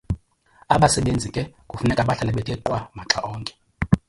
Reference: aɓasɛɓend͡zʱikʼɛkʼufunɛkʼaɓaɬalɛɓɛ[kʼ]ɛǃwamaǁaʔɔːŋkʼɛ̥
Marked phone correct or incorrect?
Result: incorrect